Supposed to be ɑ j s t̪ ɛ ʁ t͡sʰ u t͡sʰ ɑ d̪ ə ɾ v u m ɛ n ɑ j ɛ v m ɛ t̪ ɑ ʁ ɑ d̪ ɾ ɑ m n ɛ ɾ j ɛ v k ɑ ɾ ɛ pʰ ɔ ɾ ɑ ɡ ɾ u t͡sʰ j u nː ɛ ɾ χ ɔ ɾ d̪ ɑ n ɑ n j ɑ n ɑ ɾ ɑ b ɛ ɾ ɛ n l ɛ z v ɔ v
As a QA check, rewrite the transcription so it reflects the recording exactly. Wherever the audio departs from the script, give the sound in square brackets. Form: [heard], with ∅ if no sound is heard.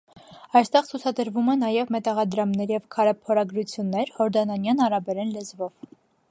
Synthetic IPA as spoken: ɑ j s t̪ ɛ ʁ t͡sʰ u t͡sʰ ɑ d̪ ə ɾ v u m ɛ n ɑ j ɛ v m ɛ t̪ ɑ ʁ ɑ d̪ ɾ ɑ m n ɛ ɾ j ɛ v [kʰ] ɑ ɾ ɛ pʰ ɔ ɾ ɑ ɡ ɾ u t͡sʰ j u nː ɛ ɾ [h] ɔ ɾ d̪ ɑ n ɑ n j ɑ n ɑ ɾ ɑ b ɛ ɾ ɛ n l ɛ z v ɔ v